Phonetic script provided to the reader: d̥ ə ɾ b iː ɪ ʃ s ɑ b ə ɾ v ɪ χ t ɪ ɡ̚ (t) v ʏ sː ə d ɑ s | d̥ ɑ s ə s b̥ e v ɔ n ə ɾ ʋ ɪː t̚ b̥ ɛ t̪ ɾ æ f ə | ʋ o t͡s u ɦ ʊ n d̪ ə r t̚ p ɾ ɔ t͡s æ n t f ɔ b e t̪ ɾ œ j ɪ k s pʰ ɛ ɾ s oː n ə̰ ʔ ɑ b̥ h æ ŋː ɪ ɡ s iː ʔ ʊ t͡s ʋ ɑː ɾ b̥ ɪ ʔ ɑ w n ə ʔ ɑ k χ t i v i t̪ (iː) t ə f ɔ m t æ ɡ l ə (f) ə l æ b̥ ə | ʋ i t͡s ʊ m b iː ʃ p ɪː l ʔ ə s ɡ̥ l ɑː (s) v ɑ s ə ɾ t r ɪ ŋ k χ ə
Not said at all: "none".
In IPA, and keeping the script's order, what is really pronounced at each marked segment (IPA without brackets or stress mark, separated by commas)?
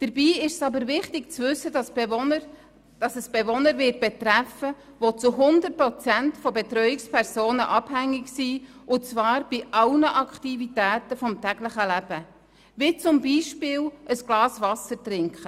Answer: t͡s, æː, χ, s